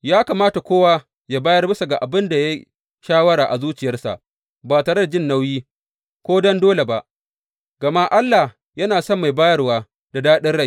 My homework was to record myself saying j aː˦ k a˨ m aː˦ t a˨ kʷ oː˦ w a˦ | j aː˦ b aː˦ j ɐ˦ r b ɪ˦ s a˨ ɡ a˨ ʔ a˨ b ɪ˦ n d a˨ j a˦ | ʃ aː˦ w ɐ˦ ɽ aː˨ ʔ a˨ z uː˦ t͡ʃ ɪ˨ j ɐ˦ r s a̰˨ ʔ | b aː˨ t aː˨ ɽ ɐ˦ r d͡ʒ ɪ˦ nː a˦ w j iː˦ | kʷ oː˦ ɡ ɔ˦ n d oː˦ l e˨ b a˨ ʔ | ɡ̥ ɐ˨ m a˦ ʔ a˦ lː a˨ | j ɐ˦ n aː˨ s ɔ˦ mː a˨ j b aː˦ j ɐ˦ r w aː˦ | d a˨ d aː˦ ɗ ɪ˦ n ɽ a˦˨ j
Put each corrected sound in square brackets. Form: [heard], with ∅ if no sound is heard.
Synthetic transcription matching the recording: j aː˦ k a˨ m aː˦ t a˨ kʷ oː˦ w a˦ | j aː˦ b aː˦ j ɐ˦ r b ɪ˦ s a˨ ɡ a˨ ʔ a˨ b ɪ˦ n d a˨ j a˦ | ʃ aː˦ w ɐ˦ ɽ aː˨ ʔ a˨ z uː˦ t͡ʃ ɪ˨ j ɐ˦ r s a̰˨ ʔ | b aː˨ t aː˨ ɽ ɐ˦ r d͡ʒ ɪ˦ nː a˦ w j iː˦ | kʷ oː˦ [d] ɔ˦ n d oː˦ l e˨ b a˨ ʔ | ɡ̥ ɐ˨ m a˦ ʔ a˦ lː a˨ | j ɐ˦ n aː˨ s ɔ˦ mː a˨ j b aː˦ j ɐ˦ r w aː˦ | d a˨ d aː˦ ɗ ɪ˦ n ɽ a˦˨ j

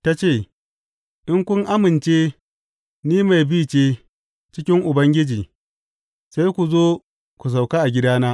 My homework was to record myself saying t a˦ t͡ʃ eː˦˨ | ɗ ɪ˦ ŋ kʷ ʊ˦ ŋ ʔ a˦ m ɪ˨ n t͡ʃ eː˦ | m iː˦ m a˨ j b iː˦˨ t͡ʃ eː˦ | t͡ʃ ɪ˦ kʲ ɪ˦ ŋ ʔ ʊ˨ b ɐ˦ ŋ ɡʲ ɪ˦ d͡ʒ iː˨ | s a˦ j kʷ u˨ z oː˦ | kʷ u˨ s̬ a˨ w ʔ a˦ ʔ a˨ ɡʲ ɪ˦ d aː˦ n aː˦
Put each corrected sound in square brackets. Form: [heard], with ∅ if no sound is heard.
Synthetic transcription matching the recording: t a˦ t͡ʃ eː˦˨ | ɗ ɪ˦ ŋ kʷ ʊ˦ ŋ ʔ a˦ m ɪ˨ n t͡ʃ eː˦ | [n] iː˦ m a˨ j b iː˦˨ t͡ʃ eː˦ | t͡ʃ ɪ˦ kʲ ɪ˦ ŋ ʔ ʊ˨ b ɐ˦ ŋ ɡʲ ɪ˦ d͡ʒ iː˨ | s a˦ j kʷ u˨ z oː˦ | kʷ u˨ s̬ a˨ w [k] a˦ ʔ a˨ ɡʲ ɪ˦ d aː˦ n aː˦

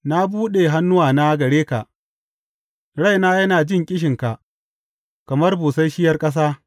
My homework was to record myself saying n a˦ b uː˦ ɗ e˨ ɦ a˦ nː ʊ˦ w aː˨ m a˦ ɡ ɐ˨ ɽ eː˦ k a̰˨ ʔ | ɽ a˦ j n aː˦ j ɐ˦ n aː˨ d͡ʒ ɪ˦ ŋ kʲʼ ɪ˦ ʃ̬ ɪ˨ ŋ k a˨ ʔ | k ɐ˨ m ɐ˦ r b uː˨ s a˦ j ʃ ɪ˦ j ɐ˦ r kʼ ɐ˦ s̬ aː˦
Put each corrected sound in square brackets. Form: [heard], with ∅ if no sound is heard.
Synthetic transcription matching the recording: n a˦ b uː˦ ɗ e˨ ɦ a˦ nː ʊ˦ w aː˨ [n] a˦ ɡ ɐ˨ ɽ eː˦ k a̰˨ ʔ | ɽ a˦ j n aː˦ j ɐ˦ n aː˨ d͡ʒ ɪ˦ ŋ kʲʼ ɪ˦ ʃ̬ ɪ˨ ŋ k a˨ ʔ | k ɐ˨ m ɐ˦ r b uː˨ s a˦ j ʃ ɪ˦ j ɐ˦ r kʼ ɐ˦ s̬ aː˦

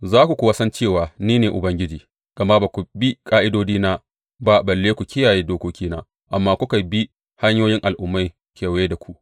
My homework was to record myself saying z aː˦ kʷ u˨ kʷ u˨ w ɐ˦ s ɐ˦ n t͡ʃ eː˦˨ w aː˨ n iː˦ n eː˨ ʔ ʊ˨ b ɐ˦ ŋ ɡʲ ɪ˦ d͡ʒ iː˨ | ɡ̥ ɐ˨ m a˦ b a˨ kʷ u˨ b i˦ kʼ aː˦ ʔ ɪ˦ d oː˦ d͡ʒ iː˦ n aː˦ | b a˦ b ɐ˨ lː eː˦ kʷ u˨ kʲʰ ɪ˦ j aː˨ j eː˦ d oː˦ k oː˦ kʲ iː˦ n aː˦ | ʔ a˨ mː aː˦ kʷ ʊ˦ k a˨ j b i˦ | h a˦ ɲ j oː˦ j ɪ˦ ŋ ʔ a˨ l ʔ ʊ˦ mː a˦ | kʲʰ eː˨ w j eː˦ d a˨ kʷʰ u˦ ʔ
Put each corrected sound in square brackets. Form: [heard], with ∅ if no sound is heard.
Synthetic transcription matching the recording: z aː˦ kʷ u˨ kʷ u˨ w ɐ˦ s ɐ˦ n t͡ʃ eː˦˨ w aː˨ n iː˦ n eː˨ ʔ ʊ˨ b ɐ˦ ŋ ɡʲ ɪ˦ d͡ʒ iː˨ | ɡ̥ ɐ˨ m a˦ b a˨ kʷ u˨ b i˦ kʼ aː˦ ʔ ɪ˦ d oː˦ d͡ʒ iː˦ n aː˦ | b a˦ b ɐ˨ lː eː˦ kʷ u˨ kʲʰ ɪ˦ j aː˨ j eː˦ d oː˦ k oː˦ kʲ iː˦ n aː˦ | ʔ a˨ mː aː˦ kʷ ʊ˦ k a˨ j b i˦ | h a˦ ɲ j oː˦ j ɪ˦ ŋ ʔ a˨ l ʔ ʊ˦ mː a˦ | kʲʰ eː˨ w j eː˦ d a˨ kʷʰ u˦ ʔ

